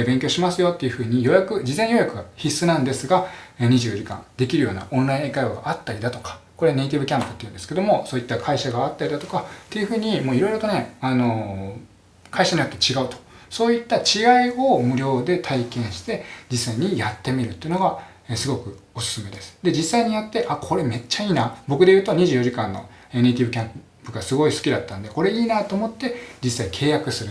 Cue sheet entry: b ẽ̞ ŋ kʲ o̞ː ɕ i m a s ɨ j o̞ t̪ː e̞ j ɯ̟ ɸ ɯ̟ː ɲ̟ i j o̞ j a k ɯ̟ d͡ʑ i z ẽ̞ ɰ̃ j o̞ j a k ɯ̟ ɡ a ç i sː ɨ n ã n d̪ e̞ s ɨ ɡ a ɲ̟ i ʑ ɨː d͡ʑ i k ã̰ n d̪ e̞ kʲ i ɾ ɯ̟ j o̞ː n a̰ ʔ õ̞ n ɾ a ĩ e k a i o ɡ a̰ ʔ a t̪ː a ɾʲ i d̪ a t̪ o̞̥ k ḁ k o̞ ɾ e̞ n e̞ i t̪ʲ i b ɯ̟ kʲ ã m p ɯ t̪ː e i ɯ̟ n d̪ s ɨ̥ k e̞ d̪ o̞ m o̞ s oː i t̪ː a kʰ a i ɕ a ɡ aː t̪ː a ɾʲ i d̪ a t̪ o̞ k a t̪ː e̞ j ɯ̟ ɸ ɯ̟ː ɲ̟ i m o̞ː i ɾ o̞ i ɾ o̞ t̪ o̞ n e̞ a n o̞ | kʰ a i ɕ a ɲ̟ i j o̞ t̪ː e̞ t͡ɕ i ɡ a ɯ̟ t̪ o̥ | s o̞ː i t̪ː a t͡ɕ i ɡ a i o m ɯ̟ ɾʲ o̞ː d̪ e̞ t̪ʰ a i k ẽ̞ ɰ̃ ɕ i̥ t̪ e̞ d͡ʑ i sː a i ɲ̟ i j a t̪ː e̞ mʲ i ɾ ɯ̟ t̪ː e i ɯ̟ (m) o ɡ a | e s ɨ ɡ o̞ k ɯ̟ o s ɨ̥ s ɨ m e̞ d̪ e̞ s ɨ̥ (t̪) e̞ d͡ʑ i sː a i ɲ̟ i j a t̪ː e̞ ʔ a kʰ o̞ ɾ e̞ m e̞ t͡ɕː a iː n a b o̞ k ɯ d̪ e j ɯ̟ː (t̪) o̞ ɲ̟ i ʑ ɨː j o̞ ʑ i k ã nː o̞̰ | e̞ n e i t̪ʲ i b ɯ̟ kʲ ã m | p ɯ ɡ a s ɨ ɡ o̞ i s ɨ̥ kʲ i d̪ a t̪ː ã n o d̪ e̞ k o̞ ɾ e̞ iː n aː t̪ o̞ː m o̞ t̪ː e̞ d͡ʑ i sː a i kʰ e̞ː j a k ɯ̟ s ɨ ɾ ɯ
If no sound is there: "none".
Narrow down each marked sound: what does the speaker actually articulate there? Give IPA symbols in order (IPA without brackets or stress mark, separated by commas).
n, d̪, t̪